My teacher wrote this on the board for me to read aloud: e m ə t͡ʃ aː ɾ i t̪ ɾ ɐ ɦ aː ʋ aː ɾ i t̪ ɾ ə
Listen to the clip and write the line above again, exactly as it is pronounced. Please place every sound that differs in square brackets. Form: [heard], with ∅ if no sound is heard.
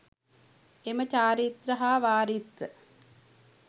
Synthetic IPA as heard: e m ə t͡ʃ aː ɾ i t̪ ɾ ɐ ɦ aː ʋ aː ɾ i t̪ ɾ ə